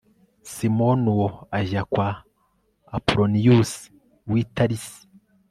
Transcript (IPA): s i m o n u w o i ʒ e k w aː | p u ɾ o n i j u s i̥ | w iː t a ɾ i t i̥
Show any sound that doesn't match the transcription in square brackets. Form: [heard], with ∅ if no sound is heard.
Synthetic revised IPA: s i m o n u w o [a] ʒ [a] k w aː | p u ɾ o n i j u s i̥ | w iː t a ɾ i [s] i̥